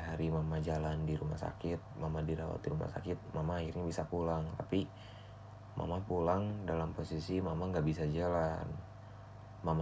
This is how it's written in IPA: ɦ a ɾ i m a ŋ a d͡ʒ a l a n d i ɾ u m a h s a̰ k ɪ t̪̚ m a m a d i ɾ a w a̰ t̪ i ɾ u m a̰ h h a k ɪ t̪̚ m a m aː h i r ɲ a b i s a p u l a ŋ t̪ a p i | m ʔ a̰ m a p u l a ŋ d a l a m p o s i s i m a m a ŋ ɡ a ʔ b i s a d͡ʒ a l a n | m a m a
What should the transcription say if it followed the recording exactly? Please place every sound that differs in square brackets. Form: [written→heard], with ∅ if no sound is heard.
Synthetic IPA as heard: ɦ a ɾ i m a [ŋ→m] a d͡ʒ a l a n d i ɾ u m a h s a̰ k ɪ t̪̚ m a m a d i ɾ a w a̰ t̪ i ɾ u m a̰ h [h→s] a k ɪ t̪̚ m a m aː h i r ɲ a b i s a p u l a ŋ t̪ a p i | m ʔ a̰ m a p u l a ŋ d a l a m p o s i s i m a m a ŋ ɡ a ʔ b i s a d͡ʒ a l a n | m a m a